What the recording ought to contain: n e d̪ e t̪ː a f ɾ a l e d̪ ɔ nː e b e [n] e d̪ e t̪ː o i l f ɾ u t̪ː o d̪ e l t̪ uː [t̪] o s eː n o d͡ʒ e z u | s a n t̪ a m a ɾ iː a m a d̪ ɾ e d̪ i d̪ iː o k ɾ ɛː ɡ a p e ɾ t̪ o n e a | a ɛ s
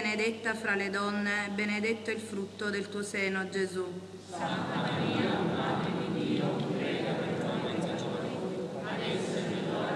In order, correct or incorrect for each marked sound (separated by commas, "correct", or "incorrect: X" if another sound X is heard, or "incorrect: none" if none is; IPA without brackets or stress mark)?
correct, incorrect: none